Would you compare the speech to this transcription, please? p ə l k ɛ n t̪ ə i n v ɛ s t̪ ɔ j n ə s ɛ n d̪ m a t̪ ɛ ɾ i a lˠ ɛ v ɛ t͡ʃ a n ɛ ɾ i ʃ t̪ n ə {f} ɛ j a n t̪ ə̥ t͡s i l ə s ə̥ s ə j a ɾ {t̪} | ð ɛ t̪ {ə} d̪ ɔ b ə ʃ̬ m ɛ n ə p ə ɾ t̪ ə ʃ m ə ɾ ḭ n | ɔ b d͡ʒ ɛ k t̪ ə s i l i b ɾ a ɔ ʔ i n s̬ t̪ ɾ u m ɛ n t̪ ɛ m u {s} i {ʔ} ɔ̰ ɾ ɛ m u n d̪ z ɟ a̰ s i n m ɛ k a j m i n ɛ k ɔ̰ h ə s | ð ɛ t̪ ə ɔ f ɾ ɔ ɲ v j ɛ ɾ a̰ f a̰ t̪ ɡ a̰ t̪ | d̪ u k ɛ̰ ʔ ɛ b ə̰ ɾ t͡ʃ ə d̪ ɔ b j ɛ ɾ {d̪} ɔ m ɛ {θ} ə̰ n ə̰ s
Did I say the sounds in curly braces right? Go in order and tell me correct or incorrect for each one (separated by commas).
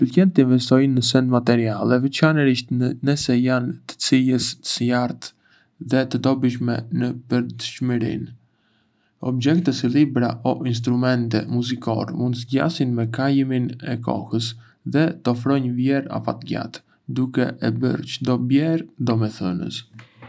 incorrect, correct, correct, incorrect, incorrect, correct, correct